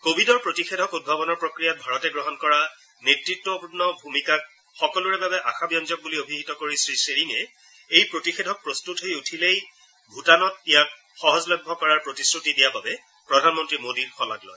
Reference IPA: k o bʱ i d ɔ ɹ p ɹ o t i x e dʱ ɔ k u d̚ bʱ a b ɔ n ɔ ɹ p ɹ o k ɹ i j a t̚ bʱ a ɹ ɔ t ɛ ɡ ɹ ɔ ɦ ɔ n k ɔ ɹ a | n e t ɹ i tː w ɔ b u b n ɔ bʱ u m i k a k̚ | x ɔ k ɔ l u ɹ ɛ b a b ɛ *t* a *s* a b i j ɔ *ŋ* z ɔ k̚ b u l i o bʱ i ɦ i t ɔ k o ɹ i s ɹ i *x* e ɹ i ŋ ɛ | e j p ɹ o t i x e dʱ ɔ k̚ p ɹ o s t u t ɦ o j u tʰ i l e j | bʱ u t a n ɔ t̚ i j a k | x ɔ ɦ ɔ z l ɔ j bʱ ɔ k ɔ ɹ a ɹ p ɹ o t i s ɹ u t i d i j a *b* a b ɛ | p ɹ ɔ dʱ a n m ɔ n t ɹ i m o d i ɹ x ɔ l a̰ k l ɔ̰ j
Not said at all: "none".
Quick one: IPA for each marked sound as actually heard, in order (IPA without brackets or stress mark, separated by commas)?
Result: ʔ, x, n, s, b